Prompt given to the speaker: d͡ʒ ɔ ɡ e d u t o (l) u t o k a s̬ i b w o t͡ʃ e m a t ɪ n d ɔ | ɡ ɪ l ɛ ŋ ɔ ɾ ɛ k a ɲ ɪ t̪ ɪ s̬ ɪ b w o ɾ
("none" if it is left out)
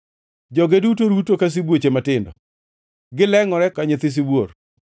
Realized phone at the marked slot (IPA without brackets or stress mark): ɾ